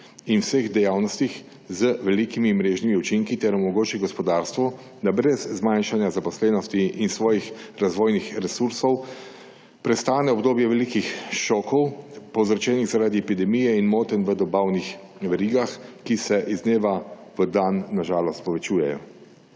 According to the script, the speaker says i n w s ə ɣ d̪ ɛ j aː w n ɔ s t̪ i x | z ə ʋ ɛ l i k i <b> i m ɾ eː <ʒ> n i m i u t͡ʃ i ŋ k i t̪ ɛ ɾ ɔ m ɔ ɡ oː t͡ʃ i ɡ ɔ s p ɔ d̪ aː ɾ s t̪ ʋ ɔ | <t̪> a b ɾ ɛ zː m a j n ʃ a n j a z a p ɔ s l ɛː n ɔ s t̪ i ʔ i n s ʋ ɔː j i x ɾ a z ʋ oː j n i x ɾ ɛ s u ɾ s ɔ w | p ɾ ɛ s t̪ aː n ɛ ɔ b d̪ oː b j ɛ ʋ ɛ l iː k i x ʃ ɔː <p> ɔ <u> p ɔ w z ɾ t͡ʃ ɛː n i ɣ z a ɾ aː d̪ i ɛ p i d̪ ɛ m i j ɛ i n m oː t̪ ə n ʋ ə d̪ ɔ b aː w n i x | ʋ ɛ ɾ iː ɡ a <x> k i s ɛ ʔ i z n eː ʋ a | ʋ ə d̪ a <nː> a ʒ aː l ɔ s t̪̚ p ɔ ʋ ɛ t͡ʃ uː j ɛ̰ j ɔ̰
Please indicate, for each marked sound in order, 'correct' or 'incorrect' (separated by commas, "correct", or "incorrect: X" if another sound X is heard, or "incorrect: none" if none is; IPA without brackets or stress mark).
incorrect: m, correct, incorrect: d̪, incorrect: k, incorrect: w, correct, correct